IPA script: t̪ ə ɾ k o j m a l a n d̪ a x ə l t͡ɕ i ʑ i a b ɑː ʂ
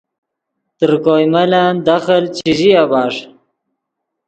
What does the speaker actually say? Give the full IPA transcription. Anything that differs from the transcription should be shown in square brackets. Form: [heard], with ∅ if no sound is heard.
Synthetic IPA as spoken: t̪ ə ɾ k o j m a l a n d̪ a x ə l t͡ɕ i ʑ i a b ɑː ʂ